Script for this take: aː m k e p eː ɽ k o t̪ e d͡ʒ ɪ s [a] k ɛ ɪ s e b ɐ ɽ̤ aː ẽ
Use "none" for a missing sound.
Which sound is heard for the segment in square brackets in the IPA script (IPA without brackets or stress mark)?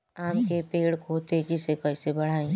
e